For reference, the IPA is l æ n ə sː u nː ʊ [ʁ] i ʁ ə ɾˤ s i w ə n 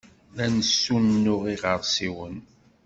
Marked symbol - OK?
yes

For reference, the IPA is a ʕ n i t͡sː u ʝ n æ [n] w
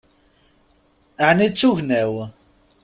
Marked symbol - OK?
no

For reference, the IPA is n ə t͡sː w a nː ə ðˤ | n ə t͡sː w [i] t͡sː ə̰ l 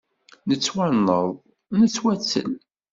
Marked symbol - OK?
no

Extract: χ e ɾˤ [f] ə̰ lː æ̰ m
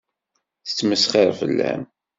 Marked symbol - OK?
yes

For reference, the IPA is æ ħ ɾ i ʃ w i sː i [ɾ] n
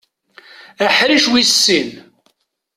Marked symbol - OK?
no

